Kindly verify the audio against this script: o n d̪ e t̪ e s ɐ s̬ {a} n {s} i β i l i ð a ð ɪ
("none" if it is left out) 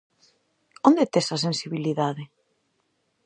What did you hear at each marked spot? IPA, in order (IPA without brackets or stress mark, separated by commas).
e, s